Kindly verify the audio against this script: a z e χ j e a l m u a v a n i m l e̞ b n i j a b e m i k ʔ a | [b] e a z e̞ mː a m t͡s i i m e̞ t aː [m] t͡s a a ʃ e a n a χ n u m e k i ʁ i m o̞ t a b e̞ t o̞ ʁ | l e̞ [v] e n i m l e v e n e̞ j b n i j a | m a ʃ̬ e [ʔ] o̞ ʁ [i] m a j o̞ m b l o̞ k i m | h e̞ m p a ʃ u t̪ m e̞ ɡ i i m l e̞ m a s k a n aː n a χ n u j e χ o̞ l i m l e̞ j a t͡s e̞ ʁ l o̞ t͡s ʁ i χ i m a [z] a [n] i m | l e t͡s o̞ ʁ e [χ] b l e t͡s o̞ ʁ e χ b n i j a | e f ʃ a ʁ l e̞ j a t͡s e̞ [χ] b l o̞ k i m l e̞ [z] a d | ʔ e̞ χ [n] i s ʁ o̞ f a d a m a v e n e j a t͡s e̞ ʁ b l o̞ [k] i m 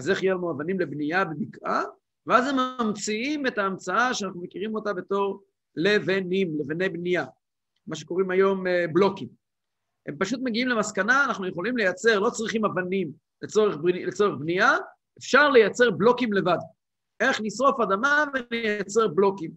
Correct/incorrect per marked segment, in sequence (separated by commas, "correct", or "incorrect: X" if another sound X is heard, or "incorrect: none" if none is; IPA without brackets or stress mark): incorrect: v, correct, correct, incorrect: k, correct, incorrect: v, correct, correct, incorrect: ʁ, incorrect: v, correct, correct